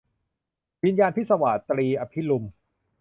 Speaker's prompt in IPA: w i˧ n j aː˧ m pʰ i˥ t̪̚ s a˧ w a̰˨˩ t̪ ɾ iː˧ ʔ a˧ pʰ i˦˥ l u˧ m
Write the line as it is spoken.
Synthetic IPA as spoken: w i˧ n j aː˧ n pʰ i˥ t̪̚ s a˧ w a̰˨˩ t̪ ɾ iː˧ ʔ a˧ pʰ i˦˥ l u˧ m